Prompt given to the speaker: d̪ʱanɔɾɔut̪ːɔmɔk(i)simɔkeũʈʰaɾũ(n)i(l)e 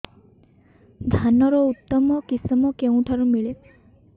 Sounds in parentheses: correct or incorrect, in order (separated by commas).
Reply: correct, incorrect, incorrect